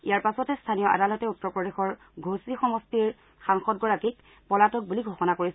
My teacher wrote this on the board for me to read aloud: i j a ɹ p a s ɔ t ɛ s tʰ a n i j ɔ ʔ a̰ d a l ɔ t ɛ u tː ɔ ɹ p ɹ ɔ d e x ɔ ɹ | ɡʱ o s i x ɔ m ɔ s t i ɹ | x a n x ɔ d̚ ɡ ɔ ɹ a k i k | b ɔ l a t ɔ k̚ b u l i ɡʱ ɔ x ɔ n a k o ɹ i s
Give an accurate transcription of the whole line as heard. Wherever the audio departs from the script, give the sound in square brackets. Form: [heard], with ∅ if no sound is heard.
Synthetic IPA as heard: i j a ɹ p a s ɔ t ɛ s tʰ a n i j ɔ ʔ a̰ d a l ɔ t ɛ u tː ɔ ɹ p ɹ ɔ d e x ɔ ɹ | ɡʱ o s i x ɔ m ɔ s t i ɹ | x a [ŋ] x ɔ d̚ ɡ ɔ ɹ a k i k | [p] ɔ l a t ɔ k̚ b u l i ɡʱ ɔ x ɔ n a k o ɹ i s

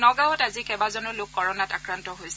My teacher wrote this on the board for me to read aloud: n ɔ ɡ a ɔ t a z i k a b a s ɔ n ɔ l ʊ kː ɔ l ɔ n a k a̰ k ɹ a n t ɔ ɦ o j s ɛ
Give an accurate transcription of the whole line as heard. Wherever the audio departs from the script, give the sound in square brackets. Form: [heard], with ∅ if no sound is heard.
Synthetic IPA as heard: n ɔ ɡ a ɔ t a z i k [ɛ] b a [z] ɔ n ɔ l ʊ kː ɔ [ɹ] ɔ n a [t] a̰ k ɹ a n t ɔ ɦ o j s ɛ

